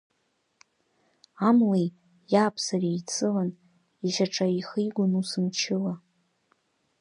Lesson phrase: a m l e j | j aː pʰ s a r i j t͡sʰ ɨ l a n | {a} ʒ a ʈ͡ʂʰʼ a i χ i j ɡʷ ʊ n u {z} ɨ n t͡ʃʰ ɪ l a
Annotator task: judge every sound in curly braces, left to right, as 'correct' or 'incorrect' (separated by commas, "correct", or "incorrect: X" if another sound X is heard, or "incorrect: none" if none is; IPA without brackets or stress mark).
incorrect: i, incorrect: s